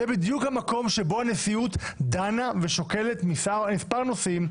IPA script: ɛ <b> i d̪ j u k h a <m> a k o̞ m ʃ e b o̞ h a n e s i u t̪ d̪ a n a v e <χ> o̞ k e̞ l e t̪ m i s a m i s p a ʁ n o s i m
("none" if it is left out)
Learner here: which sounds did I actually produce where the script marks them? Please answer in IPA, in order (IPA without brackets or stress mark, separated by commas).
b, m, ʃ